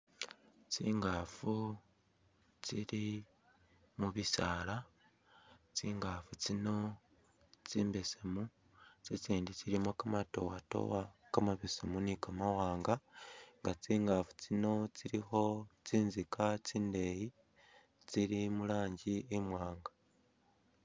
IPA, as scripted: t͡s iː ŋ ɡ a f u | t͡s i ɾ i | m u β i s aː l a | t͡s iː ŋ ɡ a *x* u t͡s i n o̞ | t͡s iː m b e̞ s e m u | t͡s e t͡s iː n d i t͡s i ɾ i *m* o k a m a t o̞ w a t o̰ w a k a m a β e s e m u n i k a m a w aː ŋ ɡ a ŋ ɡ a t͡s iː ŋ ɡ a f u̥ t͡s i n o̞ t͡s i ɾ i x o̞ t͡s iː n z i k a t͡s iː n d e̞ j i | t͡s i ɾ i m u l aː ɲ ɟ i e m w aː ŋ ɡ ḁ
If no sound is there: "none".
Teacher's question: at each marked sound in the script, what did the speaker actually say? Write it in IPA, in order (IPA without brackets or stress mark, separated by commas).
f, m